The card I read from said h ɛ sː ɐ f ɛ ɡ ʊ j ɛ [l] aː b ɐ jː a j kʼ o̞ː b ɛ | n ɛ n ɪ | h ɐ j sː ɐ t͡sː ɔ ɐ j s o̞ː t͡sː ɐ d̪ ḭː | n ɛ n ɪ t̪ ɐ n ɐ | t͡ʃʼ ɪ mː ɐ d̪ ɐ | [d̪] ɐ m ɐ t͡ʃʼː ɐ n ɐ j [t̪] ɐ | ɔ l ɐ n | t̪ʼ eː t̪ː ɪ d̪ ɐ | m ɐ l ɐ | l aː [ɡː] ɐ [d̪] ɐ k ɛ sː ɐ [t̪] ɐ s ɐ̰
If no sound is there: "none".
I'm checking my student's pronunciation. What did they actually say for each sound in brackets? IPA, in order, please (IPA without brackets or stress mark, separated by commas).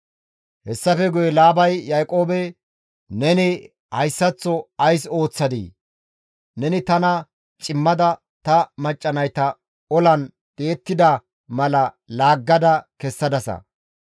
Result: l, t̪, t̪, ɡː, d̪, d̪